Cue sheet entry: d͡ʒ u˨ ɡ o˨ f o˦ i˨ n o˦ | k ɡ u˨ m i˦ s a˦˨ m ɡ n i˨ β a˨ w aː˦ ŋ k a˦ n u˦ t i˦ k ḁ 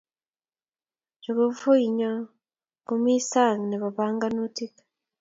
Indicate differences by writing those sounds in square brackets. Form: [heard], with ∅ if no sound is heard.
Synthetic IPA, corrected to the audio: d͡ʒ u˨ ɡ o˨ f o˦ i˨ [ɲ] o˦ | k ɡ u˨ m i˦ s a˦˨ [ŋ] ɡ n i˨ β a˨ [β] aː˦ ŋ [ɡ] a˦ n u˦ t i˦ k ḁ